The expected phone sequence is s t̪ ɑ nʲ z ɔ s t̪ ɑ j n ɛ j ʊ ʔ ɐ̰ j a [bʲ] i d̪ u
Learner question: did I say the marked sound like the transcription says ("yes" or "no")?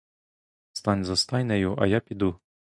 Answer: no